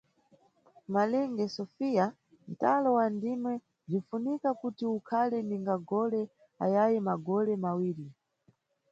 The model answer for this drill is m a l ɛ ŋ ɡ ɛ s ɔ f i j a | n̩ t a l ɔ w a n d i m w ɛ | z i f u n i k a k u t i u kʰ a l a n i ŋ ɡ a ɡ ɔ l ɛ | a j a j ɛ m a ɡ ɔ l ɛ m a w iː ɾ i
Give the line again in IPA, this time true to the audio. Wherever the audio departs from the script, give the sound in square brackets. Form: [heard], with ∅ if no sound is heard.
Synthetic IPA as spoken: m a l ɛ ŋ ɡ ɛ s ɔ f i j a | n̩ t a l ɔ w a n d i m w ɛ | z i f u n i k a k u t i u kʰ a l [ɛ] n i ŋ ɡ a ɡ ɔ l ɛ | a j a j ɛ m a ɡ ɔ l ɛ m a w iː ɾ i

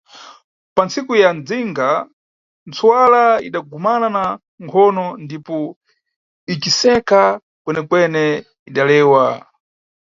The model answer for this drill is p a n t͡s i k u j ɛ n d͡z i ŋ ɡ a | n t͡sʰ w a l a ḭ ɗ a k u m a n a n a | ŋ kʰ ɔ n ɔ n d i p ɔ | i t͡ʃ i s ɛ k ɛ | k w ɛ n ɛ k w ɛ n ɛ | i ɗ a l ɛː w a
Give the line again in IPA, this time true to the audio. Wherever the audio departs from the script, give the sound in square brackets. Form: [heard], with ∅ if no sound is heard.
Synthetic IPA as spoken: p a n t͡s i k u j [a] n d͡z i ŋ ɡ a | n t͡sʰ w a l a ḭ ɗ a [ɡ] u m a n a n a | ŋ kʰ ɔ n ɔ n d i p ɔ | i t͡ʃ i s ɛ k [a] | k w ɛ n ɛ k w ɛ n ɛ | i ɗ a l ɛː w a

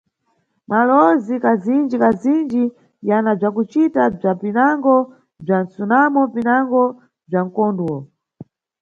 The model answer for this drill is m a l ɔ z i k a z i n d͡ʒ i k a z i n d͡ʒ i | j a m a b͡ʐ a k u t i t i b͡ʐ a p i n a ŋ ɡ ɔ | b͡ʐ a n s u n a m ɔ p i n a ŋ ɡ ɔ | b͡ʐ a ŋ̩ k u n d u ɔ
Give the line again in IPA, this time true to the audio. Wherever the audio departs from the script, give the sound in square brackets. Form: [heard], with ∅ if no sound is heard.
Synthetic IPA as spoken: m a l ɔ z i k a z i n d͡ʒ i k a z i n d͡ʒ i | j a [n] a b͡ʐ a k u [t͡ʃ] i t [a] b͡ʐ a p i n a ŋ ɡ ɔ | b͡ʐ a n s u n a m ɔ p i n a ŋ ɡ ɔ | b͡ʐ a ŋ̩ k [ɔ] n d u ɔ

